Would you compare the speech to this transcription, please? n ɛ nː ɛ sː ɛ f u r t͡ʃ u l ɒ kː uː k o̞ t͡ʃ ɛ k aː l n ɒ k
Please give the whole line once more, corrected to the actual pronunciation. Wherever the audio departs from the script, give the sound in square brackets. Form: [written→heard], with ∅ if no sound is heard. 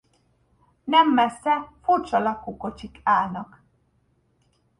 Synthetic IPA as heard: n ɛ [nː→mː] ɛ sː ɛ f u r t͡ʃ [u→ɒ] l ɒ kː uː k o̞ t͡ʃ [ɛ→i] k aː l n ɒ k